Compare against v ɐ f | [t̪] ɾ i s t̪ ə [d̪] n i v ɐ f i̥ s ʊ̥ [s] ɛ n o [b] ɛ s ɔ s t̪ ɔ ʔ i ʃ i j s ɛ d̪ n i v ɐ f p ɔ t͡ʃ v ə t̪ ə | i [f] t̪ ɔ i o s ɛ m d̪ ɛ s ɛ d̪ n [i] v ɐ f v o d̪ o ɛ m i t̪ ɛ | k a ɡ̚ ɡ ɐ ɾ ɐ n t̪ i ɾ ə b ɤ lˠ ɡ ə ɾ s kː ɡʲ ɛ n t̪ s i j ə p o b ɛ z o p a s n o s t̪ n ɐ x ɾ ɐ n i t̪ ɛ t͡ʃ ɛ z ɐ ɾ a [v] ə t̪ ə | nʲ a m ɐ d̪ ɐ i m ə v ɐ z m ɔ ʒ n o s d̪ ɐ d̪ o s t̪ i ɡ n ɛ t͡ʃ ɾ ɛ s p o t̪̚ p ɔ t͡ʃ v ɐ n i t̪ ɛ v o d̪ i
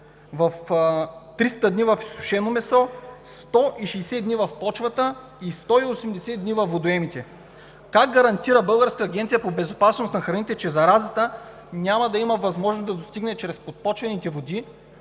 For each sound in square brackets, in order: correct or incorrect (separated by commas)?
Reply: correct, correct, incorrect, incorrect, incorrect, correct, incorrect